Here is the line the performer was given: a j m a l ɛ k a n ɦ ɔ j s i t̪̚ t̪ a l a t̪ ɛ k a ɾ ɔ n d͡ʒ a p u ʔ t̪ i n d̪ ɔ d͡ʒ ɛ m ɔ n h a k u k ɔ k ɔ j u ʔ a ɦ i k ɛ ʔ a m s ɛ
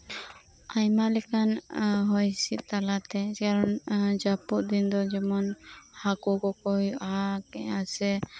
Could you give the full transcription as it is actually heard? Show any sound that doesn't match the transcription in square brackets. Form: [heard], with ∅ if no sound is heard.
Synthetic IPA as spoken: a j m a l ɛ k a n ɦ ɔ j s i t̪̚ t̪ a l a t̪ ɛ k a ɾ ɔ n d͡ʒ a p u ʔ [d̪] i n d̪ ɔ d͡ʒ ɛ m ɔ n h a k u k ɔ k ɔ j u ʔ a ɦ [a] k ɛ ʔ a [∅] s ɛ